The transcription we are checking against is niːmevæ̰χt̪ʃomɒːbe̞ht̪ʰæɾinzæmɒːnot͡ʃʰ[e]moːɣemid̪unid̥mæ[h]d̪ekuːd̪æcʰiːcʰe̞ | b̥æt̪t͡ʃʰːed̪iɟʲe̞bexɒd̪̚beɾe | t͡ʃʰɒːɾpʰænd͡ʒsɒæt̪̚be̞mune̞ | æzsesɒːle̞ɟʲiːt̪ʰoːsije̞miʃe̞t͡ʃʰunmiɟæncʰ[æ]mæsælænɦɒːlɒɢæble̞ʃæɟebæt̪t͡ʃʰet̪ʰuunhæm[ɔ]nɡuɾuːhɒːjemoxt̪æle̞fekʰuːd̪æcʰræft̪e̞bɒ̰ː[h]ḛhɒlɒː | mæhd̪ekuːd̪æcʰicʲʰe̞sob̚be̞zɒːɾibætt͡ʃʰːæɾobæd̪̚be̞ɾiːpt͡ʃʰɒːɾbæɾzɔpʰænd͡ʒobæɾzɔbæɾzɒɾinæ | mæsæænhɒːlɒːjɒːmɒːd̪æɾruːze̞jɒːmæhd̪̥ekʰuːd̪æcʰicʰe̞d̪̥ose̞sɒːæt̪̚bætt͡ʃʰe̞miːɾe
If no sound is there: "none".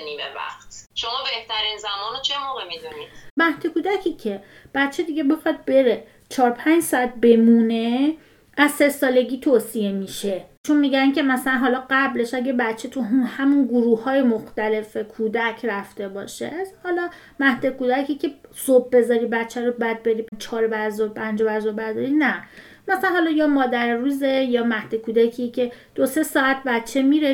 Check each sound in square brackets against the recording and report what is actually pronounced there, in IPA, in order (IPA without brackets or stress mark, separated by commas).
e, h, e, u, ʃ